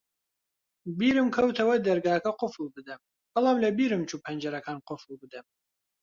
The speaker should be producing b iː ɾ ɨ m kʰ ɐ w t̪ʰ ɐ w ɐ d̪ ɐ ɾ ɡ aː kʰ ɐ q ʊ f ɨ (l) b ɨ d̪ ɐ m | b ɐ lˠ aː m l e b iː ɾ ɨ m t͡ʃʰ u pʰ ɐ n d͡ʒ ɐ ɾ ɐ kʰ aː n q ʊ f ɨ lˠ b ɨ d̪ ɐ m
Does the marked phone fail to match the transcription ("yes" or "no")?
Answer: no